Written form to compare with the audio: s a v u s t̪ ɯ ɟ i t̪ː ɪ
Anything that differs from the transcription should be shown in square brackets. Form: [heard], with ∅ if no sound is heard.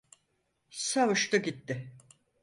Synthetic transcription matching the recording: s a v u [ʃ] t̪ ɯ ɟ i t̪ː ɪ